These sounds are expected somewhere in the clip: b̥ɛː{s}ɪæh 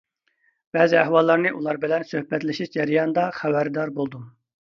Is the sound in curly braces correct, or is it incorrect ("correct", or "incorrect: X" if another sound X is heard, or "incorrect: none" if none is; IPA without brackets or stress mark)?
incorrect: z